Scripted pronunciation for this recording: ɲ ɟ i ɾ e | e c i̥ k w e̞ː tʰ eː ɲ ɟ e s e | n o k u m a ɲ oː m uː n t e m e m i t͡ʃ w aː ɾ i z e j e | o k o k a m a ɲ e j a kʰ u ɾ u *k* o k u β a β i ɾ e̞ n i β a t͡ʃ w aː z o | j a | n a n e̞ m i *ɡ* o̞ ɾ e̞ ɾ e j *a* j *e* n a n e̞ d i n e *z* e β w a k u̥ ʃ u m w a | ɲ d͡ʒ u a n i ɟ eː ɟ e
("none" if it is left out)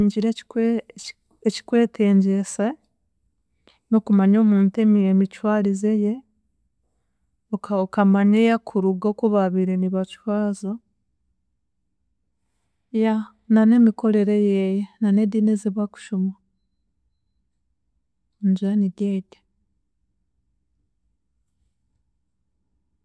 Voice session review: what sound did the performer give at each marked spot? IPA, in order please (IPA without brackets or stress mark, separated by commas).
ɡ, k, e, e, z